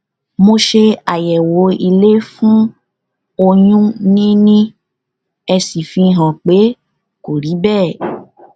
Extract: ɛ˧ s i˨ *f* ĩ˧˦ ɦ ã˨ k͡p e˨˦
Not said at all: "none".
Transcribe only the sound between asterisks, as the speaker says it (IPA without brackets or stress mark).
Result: f